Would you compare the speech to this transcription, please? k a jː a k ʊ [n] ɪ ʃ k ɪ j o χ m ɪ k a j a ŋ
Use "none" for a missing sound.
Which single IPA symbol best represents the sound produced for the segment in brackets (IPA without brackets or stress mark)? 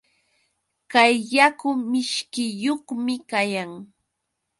m